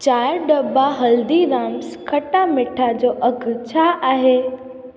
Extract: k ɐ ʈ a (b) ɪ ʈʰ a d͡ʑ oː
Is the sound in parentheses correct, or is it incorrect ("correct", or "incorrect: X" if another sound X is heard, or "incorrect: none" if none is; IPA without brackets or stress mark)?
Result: incorrect: m